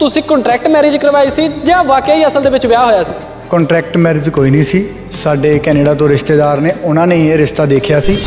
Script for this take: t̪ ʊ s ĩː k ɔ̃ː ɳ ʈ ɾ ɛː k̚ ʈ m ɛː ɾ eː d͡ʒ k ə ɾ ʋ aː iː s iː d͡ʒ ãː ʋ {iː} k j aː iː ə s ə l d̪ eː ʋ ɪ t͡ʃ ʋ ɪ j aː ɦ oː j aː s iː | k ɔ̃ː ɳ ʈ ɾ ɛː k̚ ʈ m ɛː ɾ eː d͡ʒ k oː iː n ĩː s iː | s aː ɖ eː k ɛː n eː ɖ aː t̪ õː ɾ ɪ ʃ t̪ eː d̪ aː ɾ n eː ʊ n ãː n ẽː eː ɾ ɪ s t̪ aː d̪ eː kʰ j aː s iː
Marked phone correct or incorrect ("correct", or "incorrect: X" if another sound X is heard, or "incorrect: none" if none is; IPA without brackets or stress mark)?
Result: incorrect: aː